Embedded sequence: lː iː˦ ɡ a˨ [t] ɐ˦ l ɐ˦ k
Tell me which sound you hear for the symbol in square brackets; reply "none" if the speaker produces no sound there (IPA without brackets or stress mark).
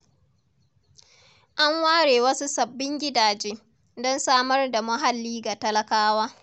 t